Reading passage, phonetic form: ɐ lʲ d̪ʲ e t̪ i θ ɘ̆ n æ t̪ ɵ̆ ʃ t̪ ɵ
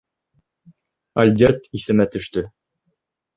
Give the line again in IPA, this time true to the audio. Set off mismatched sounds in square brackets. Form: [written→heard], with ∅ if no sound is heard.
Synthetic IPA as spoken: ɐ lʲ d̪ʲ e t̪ i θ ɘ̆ [n→m] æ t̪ ɵ̆ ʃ t̪ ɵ

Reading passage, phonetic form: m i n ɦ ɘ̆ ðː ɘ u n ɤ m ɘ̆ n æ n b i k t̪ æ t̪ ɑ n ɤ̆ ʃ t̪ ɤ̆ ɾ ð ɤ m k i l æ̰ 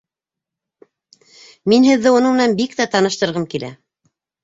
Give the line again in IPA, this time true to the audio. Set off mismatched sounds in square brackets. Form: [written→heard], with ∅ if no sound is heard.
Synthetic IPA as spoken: m i n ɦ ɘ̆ ðː ɘ u n ɤ m ɘ̆ n æ n b i k t̪ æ t̪ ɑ n ɤ̆ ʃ t̪ ɤ̆ ɾ [ð→ʁ] ɤ m k i l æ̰

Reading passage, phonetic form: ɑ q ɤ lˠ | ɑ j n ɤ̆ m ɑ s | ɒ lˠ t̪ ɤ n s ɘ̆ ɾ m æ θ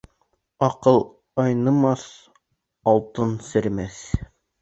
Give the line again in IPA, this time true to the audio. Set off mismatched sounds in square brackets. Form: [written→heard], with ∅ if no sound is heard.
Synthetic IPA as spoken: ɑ q ɤ lˠ | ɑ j n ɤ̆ m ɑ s | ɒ lˠ t̪ ɤ n s ɘ̆ ɾ m æ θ

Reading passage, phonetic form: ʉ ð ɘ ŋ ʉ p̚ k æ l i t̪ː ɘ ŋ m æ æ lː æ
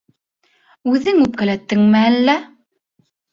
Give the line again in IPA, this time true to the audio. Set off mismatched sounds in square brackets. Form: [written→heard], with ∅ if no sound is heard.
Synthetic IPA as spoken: ʉ ð ɘ ŋ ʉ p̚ k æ l [i→æ] t̪ː ɘ ŋ m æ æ lː æ

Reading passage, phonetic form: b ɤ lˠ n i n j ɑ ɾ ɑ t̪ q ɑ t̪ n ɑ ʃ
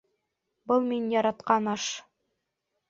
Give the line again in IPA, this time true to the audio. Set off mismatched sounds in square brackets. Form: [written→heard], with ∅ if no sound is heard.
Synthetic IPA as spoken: b ɤ lˠ [n→m] i n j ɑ ɾ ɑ t̪ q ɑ [t̪→∅] n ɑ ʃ

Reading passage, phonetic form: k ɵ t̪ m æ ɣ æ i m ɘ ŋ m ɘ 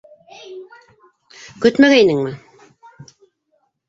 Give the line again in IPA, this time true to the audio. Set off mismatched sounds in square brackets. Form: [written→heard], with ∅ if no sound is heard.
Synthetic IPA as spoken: k ɵ t̪ m æ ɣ æ i [m→n] ɘ ŋ m ɘ

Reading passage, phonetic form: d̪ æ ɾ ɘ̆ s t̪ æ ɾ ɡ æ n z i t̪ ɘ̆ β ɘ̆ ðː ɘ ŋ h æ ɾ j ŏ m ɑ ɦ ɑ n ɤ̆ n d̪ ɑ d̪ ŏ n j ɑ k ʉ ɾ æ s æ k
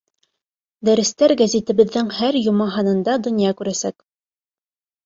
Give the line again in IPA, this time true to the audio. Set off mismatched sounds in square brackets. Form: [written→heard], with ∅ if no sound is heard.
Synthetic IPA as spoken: d̪ æ ɾ ɘ̆ s t̪ æ ɾ ɡ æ [n→∅] z i t̪ ɘ̆ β ɘ̆ ðː ɘ ŋ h æ ɾ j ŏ m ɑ ɦ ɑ n ɤ̆ n d̪ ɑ d̪ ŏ n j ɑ k ʉ ɾ æ s æ k

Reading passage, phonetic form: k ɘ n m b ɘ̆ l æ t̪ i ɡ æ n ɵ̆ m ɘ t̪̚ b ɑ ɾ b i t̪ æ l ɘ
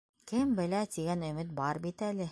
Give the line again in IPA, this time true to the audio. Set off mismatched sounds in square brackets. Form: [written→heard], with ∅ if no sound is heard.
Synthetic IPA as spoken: k ɘ [n→∅] m b ɘ̆ l æ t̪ i ɡ æ n ɵ̆ m ɘ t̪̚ b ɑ ɾ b i t̪ æ l ɘ

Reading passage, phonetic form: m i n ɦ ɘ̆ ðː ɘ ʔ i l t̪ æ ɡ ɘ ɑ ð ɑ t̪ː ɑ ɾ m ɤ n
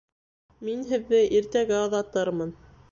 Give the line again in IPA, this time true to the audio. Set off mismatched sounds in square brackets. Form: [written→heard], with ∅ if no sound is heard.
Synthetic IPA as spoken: m i n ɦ ɘ̆ ðː ɘ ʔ i [l→ɾ] t̪ æ ɡ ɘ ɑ ð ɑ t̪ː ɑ ɾ m ɤ n

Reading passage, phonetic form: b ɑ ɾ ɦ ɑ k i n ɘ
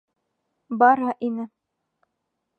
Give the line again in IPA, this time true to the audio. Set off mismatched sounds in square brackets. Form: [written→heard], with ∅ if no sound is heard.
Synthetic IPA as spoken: b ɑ ɾ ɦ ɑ [k→ʔ] i n ɘ

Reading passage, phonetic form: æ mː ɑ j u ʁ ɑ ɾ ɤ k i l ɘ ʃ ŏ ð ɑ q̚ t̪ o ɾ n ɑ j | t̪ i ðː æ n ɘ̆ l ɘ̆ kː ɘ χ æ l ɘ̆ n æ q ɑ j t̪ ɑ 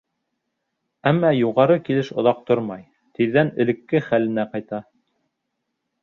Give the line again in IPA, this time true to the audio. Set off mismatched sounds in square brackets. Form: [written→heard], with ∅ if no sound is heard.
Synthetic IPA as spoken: æ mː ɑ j u ʁ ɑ ɾ ɤ k i l ɘ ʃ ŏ ð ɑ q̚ t̪ o ɾ [n→m] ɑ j | t̪ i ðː æ n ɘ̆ l ɘ̆ kː ɘ χ æ l ɘ̆ n æ q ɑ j t̪ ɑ

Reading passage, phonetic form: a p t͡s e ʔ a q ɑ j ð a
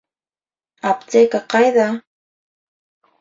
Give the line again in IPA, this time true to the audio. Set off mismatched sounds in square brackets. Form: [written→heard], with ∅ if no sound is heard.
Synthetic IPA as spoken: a p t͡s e [ʔ→k] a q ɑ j ð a

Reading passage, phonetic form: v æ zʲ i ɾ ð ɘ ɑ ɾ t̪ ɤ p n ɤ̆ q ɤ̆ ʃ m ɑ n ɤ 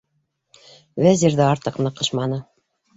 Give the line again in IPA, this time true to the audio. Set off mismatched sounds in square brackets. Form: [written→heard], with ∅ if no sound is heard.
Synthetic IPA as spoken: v æ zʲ i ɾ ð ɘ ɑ ɾ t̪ ɤ [p→q] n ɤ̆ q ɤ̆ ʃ m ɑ n ɤ

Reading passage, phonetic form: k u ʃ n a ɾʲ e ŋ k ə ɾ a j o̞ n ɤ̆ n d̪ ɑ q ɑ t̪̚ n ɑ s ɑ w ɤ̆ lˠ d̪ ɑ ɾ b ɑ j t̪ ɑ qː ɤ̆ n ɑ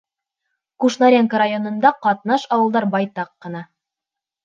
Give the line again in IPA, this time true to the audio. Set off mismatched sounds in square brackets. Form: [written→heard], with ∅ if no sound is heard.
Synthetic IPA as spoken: k u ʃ n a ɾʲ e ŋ k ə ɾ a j o̞ n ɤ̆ n d̪ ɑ q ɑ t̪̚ n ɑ [s→ʃ] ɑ w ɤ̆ lˠ d̪ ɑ ɾ b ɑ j t̪ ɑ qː ɤ̆ n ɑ

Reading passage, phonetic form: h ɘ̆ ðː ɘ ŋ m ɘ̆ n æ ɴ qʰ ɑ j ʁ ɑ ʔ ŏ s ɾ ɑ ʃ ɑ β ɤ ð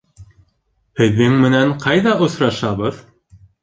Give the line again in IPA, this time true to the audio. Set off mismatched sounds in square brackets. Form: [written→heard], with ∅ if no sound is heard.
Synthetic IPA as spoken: h ɘ̆ ðː ɘ ŋ m ɘ̆ n æ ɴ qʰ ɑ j [ʁ→ð] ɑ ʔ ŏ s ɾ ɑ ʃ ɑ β ɤ ð

